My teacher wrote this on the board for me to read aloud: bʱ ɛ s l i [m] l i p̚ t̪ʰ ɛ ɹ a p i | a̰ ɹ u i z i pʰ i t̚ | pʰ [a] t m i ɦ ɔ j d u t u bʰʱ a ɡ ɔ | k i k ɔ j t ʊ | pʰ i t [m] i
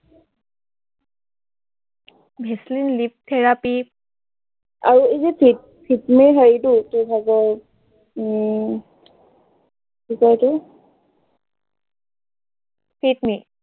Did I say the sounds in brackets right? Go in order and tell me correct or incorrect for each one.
incorrect: n, incorrect: i, correct

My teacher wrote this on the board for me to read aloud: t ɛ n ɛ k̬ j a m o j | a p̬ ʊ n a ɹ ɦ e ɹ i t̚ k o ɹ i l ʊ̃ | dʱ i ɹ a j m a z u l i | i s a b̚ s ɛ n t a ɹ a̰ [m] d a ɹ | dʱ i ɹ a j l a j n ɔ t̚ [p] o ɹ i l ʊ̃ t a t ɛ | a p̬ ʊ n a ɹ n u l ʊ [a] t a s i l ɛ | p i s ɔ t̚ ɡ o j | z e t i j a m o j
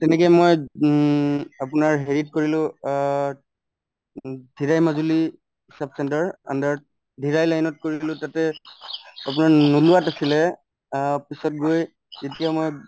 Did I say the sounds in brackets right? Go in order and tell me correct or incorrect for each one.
incorrect: n, incorrect: k, correct

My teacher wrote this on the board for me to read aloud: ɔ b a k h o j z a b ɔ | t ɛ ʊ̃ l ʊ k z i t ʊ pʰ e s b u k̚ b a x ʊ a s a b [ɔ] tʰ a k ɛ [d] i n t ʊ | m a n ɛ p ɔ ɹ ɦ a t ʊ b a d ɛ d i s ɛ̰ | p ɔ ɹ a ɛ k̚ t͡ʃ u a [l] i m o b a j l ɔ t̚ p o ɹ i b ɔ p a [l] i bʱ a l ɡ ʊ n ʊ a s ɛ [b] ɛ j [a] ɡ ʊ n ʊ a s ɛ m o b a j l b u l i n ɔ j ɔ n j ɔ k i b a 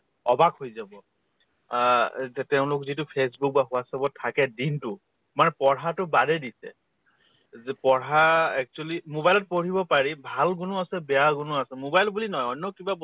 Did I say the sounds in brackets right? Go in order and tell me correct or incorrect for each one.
correct, correct, correct, incorrect: ɹ, correct, correct

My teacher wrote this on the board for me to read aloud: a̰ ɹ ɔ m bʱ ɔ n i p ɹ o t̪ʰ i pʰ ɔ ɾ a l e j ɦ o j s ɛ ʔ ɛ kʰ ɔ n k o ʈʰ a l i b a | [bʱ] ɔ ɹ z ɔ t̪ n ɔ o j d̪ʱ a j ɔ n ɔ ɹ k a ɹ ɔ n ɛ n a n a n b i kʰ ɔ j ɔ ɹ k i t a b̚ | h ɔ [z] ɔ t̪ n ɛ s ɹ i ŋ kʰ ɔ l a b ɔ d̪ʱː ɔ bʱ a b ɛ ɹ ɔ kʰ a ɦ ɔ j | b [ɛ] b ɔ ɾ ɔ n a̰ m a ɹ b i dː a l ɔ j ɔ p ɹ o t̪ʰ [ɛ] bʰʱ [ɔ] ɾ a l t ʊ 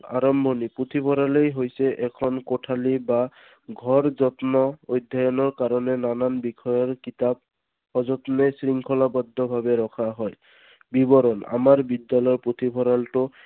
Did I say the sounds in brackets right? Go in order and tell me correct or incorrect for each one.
incorrect: ɡʱ, correct, incorrect: i, incorrect: i, correct

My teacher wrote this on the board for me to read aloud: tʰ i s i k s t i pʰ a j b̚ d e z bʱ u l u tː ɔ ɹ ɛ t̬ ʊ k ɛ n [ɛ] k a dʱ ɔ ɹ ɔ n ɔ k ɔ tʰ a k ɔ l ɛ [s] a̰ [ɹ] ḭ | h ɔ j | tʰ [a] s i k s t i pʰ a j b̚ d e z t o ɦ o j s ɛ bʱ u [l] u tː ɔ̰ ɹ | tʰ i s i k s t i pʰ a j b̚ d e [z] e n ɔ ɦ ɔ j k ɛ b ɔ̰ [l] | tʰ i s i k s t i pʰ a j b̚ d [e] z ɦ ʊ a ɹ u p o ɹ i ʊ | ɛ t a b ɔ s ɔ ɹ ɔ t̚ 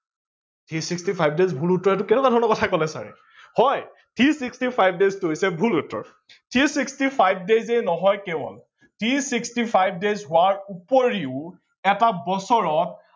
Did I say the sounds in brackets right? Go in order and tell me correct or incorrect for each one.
correct, correct, correct, incorrect: i, correct, correct, correct, correct

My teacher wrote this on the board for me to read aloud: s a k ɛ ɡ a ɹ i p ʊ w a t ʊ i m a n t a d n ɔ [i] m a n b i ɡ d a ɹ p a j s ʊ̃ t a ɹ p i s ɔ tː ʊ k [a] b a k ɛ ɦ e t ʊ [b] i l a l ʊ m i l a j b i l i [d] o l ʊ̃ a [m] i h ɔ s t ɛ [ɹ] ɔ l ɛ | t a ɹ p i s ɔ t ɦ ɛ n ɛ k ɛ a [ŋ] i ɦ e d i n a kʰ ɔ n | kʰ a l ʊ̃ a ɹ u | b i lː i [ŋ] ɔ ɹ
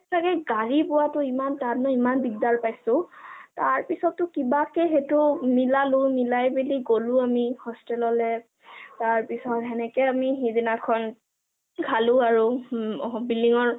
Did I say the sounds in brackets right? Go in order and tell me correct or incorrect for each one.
correct, incorrect: i, incorrect: m, incorrect: ɡ, correct, incorrect: l, incorrect: m, correct

